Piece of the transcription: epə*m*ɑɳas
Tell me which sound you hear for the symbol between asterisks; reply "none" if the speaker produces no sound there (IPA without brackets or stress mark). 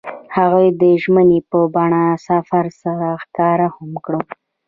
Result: b